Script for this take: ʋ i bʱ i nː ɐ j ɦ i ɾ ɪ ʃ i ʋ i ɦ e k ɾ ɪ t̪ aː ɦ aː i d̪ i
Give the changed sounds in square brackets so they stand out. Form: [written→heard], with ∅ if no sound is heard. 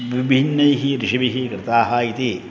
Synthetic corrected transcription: ʋ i bʱ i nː ɐ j ɦ i ɾ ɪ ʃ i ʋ i ɦ [e→i] k ɾ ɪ t̪ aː ɦ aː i [d̪→t̪] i